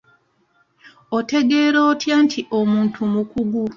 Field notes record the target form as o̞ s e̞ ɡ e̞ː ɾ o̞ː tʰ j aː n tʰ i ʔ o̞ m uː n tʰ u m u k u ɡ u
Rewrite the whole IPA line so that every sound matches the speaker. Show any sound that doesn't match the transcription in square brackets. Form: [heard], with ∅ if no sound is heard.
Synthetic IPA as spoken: o̞ [t] e̞ ɡ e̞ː ɾ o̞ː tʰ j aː n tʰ i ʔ o̞ m uː n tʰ u m u k u ɡ u